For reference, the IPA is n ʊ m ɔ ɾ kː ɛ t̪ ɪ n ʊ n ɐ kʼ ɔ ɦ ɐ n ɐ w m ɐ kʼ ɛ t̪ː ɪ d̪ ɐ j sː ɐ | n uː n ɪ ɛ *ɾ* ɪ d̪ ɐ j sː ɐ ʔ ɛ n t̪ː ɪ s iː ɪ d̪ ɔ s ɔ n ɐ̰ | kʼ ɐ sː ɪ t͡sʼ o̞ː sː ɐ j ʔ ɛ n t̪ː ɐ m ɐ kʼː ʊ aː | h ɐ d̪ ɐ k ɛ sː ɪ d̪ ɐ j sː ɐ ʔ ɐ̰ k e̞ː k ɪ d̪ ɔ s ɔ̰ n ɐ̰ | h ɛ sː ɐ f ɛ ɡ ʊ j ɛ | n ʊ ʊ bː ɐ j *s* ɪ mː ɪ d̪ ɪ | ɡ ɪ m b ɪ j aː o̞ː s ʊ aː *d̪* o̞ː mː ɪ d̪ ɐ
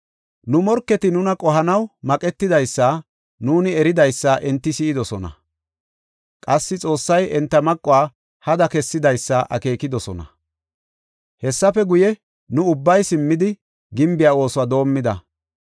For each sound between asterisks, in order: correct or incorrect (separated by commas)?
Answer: correct, correct, correct